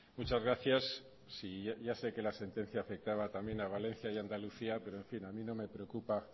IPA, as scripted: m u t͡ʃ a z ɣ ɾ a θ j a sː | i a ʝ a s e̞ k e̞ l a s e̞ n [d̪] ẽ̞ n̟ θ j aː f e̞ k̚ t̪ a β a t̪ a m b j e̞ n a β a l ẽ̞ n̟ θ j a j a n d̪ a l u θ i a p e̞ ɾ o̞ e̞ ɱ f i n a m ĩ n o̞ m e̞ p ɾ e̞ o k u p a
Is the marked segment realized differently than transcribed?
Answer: yes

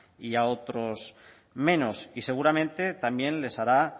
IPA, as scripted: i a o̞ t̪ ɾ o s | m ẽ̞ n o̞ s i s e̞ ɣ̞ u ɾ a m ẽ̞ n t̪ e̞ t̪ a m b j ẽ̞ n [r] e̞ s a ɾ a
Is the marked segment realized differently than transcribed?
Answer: yes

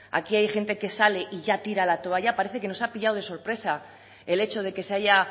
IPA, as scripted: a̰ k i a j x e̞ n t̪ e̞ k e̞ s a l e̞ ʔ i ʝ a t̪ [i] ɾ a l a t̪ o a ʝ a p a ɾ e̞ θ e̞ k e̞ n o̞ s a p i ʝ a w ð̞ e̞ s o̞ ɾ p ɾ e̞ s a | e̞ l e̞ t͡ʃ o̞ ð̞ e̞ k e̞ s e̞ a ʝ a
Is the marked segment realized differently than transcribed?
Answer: no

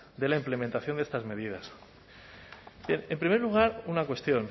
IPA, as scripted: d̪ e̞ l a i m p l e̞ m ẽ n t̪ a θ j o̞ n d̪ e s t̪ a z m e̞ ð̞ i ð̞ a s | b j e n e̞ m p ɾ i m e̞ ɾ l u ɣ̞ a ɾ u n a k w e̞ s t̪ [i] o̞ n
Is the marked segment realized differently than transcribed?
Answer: yes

